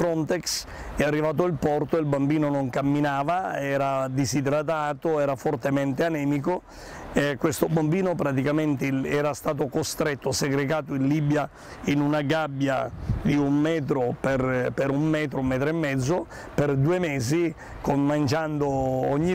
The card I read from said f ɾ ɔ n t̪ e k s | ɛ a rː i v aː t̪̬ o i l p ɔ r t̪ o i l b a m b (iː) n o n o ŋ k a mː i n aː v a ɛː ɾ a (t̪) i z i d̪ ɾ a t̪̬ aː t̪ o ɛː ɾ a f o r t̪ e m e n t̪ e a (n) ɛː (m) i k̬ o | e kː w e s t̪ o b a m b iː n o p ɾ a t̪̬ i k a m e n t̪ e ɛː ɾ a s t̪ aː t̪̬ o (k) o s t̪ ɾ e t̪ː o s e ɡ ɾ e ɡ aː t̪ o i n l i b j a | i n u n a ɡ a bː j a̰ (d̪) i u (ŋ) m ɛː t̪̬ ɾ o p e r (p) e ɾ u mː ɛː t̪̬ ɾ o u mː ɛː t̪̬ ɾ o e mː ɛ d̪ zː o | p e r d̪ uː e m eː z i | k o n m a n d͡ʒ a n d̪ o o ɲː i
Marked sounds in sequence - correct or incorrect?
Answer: correct, incorrect, correct, correct, correct, correct, incorrect, correct

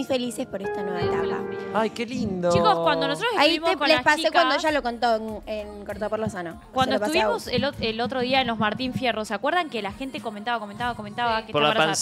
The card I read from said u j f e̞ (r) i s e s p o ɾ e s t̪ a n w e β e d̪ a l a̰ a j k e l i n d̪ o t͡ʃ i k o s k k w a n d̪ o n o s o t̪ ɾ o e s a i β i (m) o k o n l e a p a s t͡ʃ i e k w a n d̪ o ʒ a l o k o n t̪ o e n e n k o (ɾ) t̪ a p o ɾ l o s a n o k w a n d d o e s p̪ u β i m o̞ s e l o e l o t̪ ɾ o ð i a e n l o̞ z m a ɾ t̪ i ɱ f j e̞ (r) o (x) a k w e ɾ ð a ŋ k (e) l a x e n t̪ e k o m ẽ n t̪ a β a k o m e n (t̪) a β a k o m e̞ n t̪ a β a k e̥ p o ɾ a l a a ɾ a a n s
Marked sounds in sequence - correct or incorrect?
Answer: incorrect, correct, correct, correct, incorrect, correct, correct

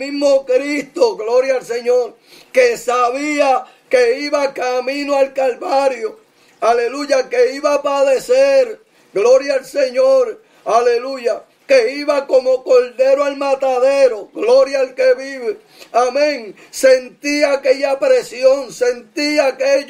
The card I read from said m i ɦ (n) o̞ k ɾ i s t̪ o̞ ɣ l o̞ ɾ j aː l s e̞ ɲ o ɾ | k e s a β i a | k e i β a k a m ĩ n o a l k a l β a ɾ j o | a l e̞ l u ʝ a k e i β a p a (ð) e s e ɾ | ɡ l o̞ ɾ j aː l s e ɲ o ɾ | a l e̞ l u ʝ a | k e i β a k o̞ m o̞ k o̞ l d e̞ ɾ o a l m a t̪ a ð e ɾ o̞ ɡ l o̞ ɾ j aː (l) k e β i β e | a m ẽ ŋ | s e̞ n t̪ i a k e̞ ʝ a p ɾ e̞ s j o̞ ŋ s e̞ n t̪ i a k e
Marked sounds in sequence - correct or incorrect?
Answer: incorrect, correct, correct

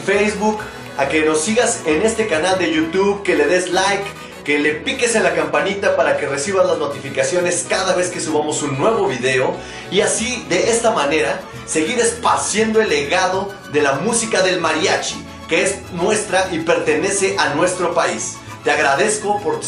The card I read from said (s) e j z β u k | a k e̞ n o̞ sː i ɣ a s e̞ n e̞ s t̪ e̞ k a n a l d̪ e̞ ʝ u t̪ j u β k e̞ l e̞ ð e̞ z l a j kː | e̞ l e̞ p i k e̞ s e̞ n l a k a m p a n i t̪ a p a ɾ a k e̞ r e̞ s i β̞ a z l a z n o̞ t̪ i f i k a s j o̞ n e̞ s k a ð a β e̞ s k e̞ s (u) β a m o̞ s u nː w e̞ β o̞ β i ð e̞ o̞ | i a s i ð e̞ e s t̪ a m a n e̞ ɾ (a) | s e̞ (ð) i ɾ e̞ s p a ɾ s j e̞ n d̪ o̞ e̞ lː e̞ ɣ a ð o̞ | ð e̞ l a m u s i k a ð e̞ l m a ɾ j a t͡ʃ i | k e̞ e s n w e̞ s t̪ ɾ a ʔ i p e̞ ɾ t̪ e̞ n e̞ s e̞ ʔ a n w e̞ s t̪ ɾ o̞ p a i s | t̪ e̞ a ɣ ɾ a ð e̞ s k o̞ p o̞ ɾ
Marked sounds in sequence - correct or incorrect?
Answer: incorrect, correct, correct, incorrect

